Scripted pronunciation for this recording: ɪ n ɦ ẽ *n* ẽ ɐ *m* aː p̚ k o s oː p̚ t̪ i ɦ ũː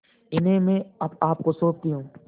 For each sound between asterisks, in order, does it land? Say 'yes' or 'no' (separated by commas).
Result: no, no